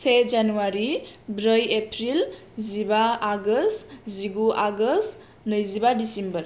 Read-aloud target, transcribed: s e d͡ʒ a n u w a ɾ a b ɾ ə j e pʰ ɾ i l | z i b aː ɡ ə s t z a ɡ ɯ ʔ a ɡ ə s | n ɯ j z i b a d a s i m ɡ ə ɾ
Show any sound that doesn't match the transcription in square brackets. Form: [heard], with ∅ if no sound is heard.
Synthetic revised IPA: s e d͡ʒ a n u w a ɾ [i] b ɾ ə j e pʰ ɾ i l | z i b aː ɡ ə s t z [i] ɡ [u] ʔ a ɡ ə s | n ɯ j z i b a d [i] s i m [b] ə ɾ